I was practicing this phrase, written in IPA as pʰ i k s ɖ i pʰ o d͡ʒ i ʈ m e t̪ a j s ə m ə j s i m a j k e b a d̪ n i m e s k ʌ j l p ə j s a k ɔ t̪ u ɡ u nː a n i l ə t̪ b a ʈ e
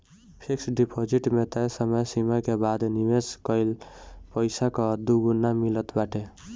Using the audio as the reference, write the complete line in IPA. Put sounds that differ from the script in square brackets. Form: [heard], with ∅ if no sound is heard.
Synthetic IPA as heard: pʰ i k s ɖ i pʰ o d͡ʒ i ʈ m e t̪ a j s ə m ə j s i m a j k e b a d̪ n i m e s k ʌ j l p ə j s a k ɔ [d̪] u ɡ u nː a [m] i l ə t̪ b a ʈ e

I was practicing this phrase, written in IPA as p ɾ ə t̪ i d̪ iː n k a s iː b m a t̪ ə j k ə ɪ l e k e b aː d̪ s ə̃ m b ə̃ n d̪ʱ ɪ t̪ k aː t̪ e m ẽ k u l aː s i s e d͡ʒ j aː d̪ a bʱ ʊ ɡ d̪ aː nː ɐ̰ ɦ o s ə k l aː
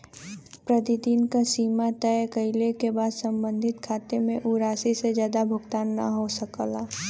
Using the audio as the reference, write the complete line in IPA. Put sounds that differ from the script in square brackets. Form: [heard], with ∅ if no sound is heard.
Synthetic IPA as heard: p ɾ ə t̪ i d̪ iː n k a s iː [∅] m a t̪ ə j k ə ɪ l e k e b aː d̪ s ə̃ m b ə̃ n d̪ʱ ɪ t̪ [kʰ] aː t̪ e m ẽ [ʔ] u [ɾ] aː s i s e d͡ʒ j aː d̪ a bʱ ʊ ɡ [t̪] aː nː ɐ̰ ɦ o s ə k l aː

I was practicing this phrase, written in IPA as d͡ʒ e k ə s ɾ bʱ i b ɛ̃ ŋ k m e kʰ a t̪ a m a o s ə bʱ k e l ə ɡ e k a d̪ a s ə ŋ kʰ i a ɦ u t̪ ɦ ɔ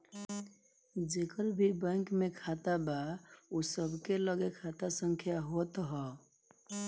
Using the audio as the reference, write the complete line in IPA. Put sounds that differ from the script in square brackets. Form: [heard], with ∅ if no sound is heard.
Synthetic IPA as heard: d͡ʒ e k ə [∅] ɾ bʱ i b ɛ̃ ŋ k m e kʰ a t̪ a [b] a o s ə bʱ k e l ə ɡ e [kʰ] a [t̪] a s ə ŋ kʰ [j] a ɦ [o] t̪ ɦ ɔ

